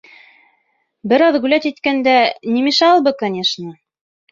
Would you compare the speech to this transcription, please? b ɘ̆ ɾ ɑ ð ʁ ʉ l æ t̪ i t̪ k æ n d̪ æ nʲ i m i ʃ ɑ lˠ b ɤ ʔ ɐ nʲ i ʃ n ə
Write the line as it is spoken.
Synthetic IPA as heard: b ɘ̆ ɾ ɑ ð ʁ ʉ l æ t̪ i t̪ k æ n d̪ æ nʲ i m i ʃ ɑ lˠ b ɤ k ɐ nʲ e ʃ n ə